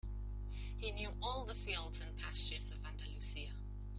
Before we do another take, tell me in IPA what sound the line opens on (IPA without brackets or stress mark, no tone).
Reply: h